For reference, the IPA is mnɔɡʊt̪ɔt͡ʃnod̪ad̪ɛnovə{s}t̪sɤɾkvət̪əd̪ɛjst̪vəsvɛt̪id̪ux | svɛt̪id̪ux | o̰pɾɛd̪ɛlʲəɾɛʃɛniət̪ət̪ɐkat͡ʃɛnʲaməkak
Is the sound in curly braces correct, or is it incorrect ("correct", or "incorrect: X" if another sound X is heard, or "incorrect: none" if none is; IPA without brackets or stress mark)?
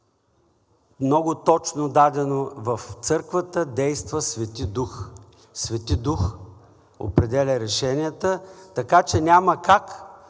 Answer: incorrect: f